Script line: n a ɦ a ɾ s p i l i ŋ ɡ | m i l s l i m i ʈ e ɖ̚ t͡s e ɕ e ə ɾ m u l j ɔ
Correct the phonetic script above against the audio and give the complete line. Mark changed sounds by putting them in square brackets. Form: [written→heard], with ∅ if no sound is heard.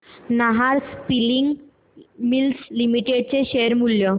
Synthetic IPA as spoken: n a ɦ a ɾ s p i l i ŋ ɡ | m i l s l i m i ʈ e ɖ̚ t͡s e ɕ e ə ɾ m u l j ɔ